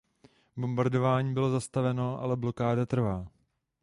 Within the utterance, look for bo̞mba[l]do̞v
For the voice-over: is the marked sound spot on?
no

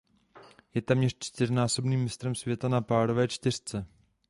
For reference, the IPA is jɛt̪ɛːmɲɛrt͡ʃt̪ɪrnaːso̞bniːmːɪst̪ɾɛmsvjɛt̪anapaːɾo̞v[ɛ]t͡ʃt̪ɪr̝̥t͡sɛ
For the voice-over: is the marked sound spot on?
no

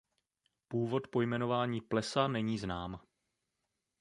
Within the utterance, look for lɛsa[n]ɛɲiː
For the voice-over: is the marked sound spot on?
yes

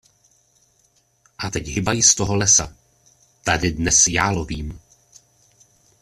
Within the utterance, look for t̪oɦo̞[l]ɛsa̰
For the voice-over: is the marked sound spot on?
yes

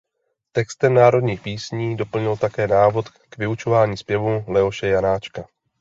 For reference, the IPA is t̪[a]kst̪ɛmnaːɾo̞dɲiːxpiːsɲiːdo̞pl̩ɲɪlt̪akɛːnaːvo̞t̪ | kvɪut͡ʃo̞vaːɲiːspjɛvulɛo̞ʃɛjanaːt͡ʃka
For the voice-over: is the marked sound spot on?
no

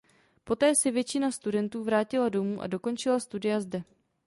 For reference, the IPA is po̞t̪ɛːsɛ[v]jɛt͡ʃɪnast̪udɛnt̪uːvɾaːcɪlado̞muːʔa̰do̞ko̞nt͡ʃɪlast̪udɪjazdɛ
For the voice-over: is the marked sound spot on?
yes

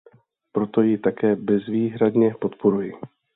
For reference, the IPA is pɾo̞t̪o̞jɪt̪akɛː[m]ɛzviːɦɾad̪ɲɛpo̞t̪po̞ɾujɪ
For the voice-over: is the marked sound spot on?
no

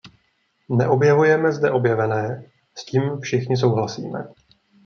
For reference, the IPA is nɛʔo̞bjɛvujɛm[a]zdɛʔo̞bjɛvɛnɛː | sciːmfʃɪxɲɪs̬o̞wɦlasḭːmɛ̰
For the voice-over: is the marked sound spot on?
no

